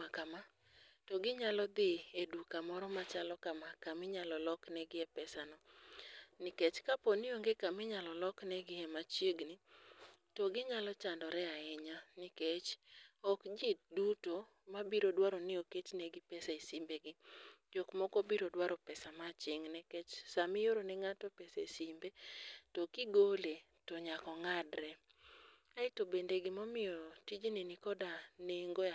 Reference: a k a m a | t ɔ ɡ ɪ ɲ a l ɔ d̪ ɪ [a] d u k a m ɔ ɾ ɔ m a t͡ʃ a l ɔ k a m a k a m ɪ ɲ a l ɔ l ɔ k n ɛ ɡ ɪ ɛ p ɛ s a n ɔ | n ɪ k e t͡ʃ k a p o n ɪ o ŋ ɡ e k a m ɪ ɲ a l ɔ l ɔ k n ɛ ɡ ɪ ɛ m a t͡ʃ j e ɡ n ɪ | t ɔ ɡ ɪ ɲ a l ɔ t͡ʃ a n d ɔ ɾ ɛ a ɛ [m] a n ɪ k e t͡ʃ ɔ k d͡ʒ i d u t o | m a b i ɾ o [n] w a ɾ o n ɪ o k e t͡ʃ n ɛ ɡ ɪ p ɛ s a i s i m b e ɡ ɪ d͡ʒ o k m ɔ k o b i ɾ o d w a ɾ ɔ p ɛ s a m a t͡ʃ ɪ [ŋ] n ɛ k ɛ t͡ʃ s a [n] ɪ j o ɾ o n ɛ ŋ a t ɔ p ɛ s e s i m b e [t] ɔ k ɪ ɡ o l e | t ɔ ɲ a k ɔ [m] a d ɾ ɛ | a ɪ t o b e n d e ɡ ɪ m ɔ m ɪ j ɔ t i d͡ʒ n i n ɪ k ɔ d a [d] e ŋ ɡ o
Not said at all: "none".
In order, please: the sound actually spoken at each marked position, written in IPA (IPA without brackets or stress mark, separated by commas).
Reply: e, ɲ, d, ŋ, m, t, ŋ, n